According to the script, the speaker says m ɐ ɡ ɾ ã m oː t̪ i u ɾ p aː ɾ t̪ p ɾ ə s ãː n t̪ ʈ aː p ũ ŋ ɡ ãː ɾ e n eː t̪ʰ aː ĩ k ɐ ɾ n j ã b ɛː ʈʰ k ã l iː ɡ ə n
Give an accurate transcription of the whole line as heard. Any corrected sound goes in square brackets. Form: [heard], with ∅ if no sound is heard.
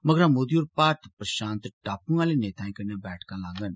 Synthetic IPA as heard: m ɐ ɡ ɾ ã m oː [d̪] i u ɾ p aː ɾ t̪ p ɾ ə [ʃ] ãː n t̪ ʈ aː p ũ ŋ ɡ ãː [l] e n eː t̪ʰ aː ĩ k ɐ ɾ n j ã b ɛː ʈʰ k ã l [aː] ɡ ə n

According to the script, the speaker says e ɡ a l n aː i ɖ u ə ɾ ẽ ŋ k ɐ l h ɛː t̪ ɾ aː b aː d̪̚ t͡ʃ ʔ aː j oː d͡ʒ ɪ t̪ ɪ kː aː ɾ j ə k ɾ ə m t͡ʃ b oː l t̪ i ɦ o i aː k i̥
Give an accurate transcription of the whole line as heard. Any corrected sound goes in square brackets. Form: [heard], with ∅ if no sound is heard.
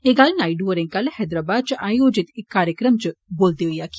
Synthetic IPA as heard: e ɡ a l n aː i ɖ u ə ɾ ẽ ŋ k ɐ l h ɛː [d̪] ɾ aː b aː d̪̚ t͡ʃ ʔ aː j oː d͡ʒ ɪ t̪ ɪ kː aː ɾ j ə k ɾ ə m t͡ʃ b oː l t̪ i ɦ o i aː k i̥

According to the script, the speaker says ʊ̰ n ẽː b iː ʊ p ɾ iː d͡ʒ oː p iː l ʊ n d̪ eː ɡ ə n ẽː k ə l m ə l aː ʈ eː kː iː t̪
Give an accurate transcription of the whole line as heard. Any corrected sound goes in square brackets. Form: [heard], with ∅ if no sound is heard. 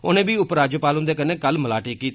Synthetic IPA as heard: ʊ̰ n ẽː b iː ʊ p ɾ [aː] d͡ʒ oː p [aː] l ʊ n d̪ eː [k] ə n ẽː k ə l m ə l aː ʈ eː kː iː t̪

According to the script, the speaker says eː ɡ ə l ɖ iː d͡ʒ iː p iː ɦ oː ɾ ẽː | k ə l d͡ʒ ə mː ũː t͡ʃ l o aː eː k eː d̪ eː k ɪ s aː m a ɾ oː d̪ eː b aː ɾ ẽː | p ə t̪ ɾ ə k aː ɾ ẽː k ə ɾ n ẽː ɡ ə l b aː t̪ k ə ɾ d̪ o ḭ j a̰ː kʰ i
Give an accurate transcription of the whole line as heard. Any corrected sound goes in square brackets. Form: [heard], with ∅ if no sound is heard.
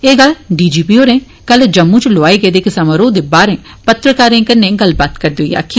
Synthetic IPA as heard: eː ɡ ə l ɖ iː d͡ʒ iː p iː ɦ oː ɾ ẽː | k ə l d͡ʒ ə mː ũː t͡ʃ l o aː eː [ɡ] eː d̪ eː k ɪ s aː m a ɾ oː d̪ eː b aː ɾ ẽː | p ə t̪ ɾ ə k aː ɾ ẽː k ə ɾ n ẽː ɡ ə l b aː t̪ k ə ɾ d̪ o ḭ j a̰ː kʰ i

